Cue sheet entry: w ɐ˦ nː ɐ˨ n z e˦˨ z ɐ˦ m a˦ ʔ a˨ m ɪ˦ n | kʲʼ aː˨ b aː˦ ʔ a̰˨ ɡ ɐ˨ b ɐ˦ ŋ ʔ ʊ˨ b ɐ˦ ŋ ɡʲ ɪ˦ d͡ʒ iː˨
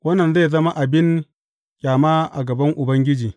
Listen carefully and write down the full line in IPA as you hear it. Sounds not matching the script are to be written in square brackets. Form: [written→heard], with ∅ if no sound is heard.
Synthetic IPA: w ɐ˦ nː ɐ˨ n z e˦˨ z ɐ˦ m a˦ ʔ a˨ [m→b] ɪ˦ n | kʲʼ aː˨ [b→m] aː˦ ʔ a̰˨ ɡ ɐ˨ b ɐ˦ ŋ ʔ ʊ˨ b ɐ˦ ŋ ɡʲ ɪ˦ d͡ʒ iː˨